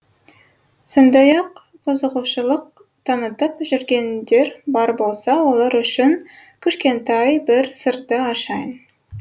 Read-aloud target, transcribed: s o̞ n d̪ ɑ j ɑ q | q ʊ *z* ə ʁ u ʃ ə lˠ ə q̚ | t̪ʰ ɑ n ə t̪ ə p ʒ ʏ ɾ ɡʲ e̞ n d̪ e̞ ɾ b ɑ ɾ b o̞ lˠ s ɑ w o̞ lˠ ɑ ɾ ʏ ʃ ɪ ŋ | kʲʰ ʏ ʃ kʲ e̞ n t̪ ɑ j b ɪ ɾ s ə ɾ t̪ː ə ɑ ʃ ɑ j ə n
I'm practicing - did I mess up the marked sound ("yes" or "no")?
no